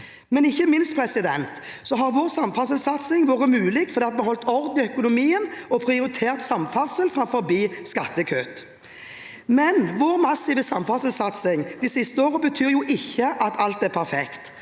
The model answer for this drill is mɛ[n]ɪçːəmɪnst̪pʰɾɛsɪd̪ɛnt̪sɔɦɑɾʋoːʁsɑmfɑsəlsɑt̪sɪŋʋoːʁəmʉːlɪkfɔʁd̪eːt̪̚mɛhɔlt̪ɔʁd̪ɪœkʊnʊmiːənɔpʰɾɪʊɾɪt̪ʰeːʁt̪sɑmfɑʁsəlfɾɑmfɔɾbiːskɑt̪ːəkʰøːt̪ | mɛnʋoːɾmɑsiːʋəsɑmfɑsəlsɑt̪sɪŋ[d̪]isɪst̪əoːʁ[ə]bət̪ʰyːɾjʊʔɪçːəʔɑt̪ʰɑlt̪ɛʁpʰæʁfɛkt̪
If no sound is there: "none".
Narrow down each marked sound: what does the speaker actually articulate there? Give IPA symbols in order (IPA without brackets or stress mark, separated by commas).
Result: n, d̪, ə